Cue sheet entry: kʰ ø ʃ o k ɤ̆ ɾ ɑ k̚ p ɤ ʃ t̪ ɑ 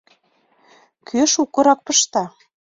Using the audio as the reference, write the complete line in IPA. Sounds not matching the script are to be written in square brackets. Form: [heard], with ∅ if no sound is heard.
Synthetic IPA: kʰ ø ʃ [u] k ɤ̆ ɾ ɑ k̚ p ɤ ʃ t̪ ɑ